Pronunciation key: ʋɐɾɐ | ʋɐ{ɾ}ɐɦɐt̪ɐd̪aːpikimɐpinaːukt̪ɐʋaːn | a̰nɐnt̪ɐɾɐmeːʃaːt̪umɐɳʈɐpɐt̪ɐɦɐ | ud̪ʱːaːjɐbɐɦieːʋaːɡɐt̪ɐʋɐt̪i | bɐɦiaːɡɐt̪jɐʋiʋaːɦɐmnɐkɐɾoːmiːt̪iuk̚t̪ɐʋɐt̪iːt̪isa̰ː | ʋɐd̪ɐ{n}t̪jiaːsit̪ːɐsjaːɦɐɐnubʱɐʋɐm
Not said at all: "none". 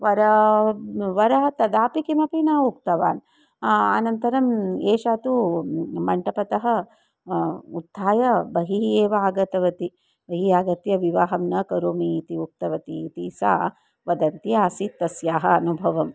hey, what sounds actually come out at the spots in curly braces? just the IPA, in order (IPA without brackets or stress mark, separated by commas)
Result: ɾ, n